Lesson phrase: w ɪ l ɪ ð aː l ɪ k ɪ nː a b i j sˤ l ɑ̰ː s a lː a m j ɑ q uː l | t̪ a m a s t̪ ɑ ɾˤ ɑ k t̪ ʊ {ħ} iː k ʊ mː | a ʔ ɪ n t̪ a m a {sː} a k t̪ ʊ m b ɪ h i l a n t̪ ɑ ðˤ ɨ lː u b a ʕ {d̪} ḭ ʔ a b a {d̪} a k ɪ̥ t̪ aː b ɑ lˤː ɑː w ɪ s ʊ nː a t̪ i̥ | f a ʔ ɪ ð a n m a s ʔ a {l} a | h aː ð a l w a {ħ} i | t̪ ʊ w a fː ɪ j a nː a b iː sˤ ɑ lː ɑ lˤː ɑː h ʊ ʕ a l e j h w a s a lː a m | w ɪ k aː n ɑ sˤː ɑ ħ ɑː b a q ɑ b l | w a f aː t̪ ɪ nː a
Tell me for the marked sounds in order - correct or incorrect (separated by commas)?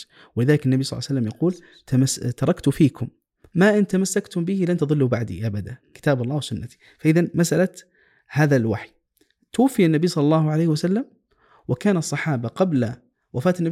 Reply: incorrect, correct, correct, correct, correct, correct